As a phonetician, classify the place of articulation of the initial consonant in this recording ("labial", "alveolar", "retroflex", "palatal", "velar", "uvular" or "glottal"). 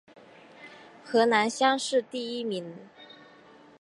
velar